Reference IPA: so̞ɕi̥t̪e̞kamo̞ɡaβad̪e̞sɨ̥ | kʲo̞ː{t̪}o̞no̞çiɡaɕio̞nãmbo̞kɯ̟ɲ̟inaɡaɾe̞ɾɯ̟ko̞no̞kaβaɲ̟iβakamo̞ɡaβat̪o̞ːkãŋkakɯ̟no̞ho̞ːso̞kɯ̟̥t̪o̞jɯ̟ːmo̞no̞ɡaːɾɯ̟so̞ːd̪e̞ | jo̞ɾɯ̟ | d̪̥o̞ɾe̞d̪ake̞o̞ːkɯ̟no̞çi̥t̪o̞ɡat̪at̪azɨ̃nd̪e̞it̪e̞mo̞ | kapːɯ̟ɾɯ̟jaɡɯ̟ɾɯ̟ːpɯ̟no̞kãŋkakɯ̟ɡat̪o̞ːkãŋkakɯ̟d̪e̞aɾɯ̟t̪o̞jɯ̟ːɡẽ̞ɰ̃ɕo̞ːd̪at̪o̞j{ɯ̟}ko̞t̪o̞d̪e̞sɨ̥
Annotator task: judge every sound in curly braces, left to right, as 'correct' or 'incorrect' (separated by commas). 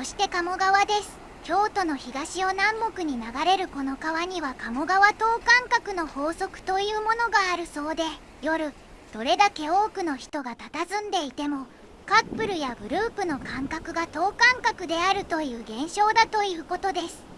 correct, incorrect